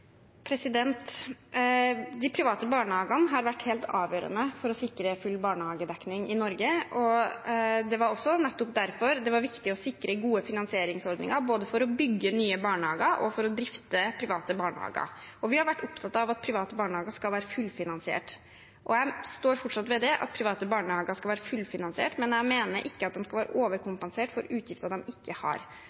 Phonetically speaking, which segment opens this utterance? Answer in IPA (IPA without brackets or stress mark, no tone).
pʰ